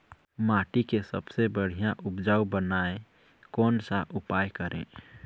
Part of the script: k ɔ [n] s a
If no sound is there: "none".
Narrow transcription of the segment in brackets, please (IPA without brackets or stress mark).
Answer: n